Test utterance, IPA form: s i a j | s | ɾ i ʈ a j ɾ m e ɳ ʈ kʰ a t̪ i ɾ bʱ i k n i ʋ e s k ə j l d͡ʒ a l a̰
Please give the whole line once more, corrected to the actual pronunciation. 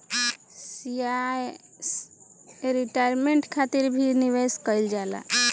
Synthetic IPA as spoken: s i a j | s | ɾ i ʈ a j ɾ m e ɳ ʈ kʰ a t̪ i ɾ bʱ i n i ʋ e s k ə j l d͡ʒ a l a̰